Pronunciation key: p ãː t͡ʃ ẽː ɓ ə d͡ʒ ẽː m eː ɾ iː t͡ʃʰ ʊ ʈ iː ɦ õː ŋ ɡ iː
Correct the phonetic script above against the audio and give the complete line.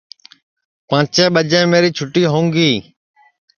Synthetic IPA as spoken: p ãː t͡ʃ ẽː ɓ ə d͡ʒ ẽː m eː ɾ iː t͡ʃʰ ʊ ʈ iː ɦ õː ŋ ɡ iː